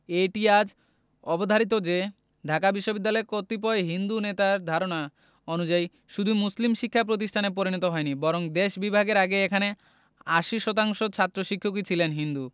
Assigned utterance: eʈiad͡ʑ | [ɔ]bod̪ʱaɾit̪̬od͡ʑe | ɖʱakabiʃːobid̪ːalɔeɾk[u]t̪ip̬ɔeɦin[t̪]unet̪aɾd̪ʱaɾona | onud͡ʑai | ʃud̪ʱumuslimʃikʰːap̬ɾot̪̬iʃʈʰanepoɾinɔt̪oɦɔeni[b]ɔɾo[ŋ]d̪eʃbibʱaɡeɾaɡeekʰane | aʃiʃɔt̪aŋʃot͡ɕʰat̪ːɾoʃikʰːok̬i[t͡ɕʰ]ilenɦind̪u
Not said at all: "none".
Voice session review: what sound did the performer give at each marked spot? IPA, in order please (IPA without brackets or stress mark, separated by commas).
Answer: ɔ, o, d̪, b, ŋ, t͡ɕʰ